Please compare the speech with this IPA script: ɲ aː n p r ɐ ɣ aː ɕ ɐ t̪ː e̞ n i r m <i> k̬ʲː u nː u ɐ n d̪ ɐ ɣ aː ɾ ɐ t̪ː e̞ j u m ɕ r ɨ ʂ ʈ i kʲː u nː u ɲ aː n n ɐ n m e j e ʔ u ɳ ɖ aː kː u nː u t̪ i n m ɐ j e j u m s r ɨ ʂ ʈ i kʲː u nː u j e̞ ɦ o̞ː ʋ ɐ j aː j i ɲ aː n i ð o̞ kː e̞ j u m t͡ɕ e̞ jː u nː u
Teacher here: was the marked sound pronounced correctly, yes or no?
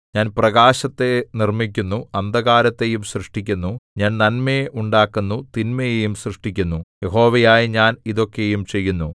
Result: yes